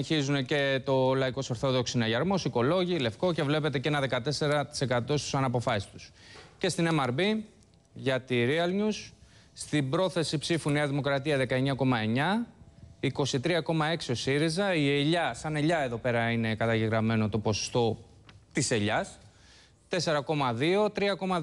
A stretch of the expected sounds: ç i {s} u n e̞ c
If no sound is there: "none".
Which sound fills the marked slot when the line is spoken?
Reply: z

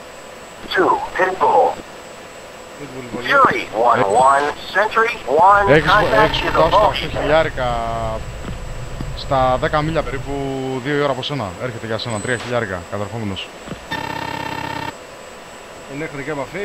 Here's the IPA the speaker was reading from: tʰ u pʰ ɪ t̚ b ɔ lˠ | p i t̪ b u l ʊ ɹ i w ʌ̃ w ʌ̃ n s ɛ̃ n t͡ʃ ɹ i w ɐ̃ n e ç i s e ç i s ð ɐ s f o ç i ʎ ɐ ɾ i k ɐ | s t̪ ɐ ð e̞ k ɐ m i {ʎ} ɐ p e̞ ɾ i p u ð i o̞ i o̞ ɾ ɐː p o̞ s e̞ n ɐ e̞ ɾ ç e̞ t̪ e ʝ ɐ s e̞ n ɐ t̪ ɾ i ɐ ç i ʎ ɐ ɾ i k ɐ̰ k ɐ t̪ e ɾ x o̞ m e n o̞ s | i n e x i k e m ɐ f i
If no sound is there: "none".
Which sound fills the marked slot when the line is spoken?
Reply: ʎ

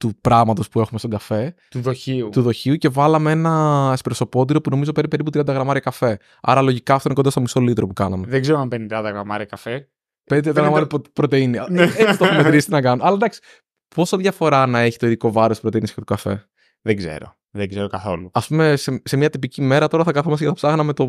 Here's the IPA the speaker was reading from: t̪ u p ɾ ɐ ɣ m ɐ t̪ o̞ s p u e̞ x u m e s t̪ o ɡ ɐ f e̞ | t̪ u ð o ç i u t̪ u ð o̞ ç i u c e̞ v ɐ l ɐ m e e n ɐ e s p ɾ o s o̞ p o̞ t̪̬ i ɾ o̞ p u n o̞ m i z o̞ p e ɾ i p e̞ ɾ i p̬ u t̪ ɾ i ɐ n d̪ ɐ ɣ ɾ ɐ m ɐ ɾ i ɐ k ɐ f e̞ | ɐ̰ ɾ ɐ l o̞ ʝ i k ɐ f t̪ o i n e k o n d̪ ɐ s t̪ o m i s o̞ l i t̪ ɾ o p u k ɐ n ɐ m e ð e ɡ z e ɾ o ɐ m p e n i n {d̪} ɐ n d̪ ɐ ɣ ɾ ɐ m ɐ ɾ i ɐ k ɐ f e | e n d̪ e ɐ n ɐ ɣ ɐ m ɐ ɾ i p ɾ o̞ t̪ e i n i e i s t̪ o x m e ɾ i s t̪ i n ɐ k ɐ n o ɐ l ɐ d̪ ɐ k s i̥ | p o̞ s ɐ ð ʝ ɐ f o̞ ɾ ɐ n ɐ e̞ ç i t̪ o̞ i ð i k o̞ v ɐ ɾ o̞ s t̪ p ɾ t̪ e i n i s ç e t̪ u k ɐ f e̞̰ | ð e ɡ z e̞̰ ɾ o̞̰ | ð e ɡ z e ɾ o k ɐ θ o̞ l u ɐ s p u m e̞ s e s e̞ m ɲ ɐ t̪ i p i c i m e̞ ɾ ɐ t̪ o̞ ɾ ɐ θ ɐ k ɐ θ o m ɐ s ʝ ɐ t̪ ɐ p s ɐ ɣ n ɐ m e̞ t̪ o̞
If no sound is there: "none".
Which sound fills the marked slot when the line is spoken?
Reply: d̪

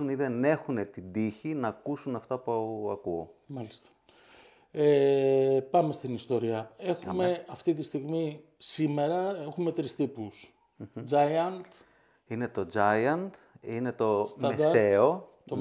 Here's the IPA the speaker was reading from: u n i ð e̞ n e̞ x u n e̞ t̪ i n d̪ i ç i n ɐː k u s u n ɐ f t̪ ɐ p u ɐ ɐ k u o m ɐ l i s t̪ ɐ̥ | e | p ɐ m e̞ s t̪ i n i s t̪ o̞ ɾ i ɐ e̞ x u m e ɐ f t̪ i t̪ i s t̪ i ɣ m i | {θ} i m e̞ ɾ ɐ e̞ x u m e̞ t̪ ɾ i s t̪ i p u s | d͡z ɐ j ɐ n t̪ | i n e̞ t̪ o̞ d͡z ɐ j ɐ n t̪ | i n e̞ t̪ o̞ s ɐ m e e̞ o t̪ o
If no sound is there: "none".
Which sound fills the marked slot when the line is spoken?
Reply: s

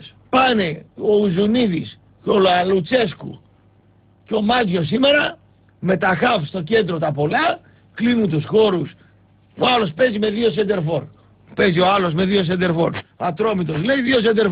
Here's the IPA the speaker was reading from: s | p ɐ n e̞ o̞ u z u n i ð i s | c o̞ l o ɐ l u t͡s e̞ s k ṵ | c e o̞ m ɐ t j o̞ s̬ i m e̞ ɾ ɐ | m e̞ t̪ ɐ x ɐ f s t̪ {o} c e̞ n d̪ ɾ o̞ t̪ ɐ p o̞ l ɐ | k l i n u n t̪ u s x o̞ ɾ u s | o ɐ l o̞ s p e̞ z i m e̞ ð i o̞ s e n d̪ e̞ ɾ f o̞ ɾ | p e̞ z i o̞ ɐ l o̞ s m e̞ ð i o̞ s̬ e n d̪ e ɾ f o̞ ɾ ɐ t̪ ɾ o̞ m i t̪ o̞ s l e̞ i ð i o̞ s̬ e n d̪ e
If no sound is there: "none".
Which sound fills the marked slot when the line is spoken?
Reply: o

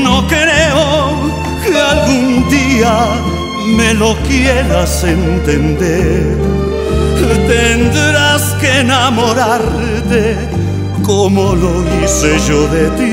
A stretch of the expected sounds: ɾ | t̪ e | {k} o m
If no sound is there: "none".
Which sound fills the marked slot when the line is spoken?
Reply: k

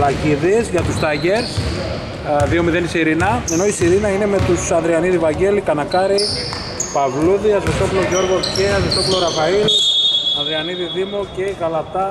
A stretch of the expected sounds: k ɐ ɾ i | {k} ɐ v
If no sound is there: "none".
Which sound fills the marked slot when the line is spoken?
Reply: p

